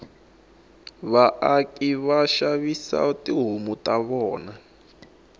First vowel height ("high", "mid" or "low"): low